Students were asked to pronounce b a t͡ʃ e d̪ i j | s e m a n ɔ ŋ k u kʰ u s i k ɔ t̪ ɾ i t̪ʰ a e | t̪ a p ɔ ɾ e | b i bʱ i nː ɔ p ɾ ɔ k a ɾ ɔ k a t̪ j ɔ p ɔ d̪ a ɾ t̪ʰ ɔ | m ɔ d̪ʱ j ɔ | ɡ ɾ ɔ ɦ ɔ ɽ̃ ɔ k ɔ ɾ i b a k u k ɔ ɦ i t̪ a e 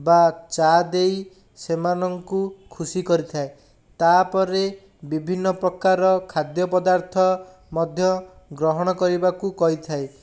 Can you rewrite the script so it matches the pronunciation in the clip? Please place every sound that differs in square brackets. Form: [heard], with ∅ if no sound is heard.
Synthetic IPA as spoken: b a t͡ʃ [a] d̪ [e] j | s e m a n ɔ ŋ k u kʰ u s i k ɔ [∅] ɾ i t̪ʰ a e | t̪ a p ɔ ɾ e | b i bʱ i nː ɔ p ɾ ɔ k a ɾ ɔ [kʰ] a [d̪] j ɔ p ɔ d̪ a ɾ t̪ʰ ɔ | m ɔ d̪ʱ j ɔ | ɡ ɾ ɔ ɦ ɔ ɽ̃ ɔ k ɔ ɾ i b a k u k ɔ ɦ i [t̪ʰ] a e